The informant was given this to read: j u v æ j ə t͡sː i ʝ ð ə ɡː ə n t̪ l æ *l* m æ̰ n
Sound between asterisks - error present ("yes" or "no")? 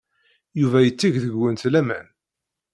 yes